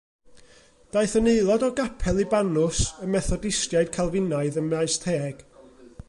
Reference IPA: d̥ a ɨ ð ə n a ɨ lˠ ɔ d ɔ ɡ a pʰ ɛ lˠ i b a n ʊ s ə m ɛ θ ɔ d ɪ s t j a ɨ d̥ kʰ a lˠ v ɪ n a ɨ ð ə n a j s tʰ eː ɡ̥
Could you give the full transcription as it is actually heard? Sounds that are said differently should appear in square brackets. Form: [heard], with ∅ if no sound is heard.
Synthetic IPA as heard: d̥ a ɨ [θ] ə n [e] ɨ lˠ ɔ d ɔ ɡ a pʰ ɛ lˠ i b a n ʊ s ə m ɛ θ ɔ d ɪ s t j a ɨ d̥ kʰ a lˠ v ɪ n a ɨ ð ə [m] a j s tʰ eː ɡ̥